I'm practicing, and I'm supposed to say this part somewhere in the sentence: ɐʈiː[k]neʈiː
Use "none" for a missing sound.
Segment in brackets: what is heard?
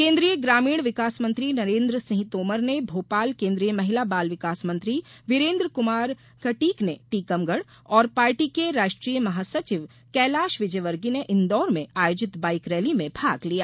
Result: k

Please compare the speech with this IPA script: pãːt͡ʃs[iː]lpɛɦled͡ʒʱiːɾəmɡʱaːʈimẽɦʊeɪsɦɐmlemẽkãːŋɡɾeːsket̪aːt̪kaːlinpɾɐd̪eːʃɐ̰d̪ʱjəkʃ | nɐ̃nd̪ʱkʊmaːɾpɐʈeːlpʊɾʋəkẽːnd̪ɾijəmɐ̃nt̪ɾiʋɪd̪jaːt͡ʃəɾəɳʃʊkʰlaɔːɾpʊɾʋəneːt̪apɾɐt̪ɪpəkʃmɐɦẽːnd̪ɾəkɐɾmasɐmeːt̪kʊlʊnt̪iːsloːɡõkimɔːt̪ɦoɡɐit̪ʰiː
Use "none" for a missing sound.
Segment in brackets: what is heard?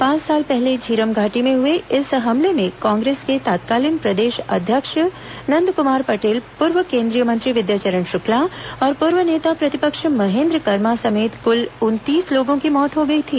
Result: aː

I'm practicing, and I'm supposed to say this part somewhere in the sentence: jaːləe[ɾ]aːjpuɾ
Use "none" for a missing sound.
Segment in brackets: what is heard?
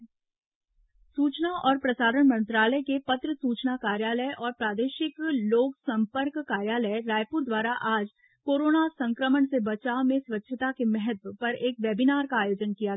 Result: ɾ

